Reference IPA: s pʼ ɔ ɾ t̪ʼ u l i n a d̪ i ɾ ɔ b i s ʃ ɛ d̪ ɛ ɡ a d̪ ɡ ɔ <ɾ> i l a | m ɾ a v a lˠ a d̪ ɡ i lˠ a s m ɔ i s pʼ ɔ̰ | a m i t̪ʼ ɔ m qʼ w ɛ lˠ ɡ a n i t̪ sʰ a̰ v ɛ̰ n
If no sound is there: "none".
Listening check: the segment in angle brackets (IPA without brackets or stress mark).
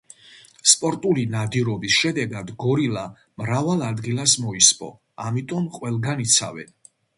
ɾ